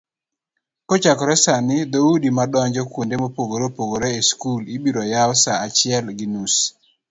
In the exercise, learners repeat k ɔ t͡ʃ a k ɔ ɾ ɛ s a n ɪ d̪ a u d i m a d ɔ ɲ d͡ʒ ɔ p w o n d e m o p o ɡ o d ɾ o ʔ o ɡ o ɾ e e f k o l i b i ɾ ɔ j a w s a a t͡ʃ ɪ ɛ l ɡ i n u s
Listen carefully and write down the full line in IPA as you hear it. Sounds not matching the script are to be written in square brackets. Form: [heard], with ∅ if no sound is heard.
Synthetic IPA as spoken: k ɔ t͡ʃ a k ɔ ɾ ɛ s a n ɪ d̪ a u d i m a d ɔ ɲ d͡ʒ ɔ [k] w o n d e m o p o ɡ o [∅] ɾ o [p] o ɡ o ɾ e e [s] k [u] l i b i ɾ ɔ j a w s a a t͡ʃ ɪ ɛ l ɡ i n u s